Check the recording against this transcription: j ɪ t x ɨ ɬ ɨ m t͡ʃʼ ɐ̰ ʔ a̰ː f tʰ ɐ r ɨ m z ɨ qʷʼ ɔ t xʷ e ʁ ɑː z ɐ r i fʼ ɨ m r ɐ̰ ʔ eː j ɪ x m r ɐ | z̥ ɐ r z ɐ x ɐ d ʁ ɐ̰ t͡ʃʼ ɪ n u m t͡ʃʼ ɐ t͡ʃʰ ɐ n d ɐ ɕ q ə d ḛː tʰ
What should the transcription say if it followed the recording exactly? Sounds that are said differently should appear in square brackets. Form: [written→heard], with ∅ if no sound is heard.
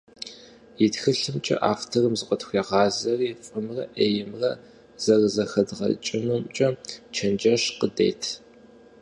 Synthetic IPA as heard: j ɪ t x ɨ ɬ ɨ m t͡ʃʼ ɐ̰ ʔ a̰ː f tʰ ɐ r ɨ m z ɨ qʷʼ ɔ t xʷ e ʁ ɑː z ɐ r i fʼ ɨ m r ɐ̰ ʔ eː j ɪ [x→∅] m r ɐ | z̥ ɐ r z ɐ x ɐ d ʁ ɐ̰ t͡ʃʼ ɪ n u m t͡ʃʼ ɐ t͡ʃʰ ɐ n [d→d͡ʒ] ɐ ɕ q ə d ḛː tʰ